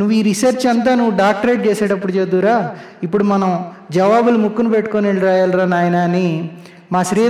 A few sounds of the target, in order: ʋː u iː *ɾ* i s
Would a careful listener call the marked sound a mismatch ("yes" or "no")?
no